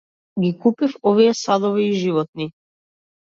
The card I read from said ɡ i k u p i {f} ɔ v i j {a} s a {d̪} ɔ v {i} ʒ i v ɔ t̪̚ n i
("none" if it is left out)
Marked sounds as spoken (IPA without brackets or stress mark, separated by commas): f, ɛ, d̪, iː